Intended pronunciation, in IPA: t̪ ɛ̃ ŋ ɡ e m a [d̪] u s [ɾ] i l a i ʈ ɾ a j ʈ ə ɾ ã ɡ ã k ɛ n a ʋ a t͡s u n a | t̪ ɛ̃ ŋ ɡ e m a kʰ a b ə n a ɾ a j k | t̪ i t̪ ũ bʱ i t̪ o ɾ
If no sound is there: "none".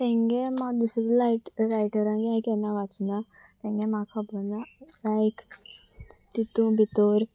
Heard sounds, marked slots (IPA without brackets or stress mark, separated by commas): d̪, ɾ